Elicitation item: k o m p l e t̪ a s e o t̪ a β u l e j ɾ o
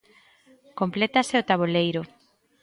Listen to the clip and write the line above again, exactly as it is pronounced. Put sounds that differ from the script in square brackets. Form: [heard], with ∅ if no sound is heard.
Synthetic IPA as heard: k o m p l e t̪ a s e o t̪ a β [o] l e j ɾ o